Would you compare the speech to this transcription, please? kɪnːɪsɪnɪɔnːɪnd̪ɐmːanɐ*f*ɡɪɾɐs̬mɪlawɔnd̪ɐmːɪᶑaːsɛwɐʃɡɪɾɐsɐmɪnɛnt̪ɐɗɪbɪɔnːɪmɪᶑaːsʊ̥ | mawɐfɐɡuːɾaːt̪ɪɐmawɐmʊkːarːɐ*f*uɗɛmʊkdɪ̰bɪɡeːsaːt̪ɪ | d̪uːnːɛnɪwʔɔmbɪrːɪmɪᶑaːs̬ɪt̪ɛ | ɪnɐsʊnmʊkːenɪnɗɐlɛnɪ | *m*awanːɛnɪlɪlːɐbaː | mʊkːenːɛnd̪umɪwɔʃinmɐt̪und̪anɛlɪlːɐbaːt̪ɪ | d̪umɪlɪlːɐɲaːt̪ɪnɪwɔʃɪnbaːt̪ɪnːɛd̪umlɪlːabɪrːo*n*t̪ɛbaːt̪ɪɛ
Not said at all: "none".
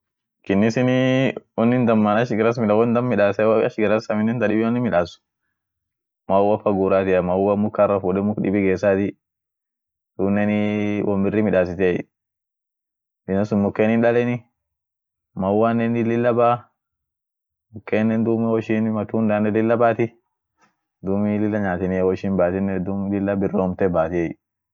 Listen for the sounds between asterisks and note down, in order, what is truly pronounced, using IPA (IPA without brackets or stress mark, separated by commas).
ʃ, f, m, m